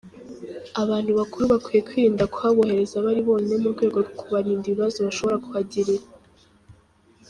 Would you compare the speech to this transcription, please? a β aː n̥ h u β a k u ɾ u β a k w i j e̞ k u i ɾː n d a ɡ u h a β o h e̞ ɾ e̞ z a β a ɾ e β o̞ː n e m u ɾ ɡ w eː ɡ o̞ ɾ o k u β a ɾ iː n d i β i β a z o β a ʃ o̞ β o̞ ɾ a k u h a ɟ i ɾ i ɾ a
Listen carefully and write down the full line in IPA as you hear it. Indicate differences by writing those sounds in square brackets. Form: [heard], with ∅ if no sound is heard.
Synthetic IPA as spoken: a β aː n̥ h u β a k u ɾ u β a k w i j e̞ k [w] i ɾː n d a [k] u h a β o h e̞ ɾ e̞ z a β a ɾ [i] β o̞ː n e m u ɾ ɡ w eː ɡ o̞ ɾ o k u β a ɾ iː n d i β i β a z o β a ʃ o̞ β o̞ ɾ a k u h a ɟ i ɾ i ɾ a